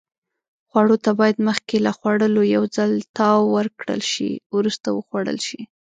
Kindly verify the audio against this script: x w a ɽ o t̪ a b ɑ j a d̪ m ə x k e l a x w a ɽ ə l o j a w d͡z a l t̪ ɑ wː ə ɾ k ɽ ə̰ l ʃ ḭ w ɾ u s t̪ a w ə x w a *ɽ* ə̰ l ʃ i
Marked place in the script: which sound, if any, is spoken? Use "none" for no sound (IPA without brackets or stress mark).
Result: ɽ